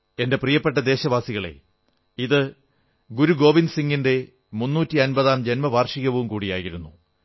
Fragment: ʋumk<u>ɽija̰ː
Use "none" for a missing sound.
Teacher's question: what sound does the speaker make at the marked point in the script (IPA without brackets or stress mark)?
uː